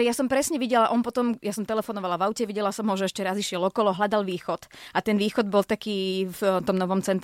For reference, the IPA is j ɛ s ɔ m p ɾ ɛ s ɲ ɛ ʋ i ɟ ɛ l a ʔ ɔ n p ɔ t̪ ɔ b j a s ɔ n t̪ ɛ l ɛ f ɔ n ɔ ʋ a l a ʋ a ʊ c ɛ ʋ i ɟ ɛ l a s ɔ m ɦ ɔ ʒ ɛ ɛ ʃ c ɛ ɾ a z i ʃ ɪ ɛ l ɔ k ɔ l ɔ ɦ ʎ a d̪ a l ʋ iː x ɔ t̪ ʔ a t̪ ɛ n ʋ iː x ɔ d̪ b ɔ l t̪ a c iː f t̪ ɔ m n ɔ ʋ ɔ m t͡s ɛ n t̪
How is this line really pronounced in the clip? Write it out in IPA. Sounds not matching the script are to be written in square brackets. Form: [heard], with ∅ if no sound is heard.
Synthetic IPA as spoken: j [a] s ɔ m p ɾ ɛ s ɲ ɛ ʋ i ɟ ɛ l a ʔ ɔ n p ɔ t̪ ɔ [m] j a s ɔ [m] t̪ ɛ l ɛ f ɔ n ɔ ʋ a l a ʋ a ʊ c ɛ ʋ i ɟ ɛ l a s ɔ m ɦ ɔ ʒ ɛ ɛ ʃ c ɛ ɾ a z i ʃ ɪ ɛ l ɔ k ɔ l ɔ ɦ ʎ a d̪ a l ʋ iː x ɔ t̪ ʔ a t̪ ɛ n ʋ iː x ɔ d̪ b ɔ l t̪ a [k] iː f t̪ ɔ m n ɔ ʋ ɔ m t͡s ɛ n t̪